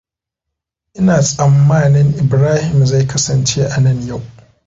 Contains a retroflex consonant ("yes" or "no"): no